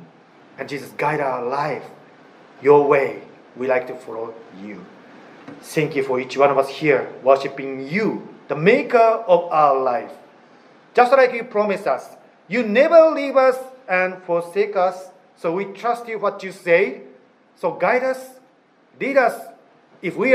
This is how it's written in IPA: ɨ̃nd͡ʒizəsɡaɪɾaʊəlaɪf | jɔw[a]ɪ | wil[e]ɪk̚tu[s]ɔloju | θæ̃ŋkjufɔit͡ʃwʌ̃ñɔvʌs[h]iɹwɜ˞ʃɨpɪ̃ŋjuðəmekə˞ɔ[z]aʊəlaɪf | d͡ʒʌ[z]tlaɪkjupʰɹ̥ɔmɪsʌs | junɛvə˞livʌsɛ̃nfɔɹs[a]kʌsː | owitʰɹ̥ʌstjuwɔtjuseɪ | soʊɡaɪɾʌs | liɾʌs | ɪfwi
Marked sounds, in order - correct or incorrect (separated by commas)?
incorrect, incorrect, incorrect, correct, incorrect, incorrect, incorrect